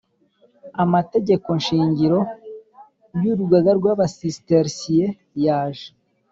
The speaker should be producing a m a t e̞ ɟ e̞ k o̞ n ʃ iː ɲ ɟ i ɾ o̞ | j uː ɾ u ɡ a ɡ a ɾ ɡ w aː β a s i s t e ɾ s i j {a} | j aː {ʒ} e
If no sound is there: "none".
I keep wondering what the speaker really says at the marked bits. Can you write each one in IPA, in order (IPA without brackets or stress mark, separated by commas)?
e, ʒ